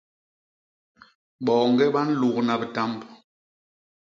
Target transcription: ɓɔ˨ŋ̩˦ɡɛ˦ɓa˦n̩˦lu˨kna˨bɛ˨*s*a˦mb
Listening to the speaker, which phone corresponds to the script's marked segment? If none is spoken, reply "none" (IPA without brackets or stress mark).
t